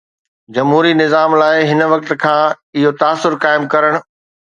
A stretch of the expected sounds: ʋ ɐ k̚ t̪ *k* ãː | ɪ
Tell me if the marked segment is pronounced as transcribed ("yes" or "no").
no